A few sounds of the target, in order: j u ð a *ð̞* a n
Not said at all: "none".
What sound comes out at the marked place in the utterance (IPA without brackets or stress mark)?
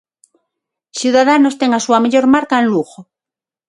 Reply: ð̞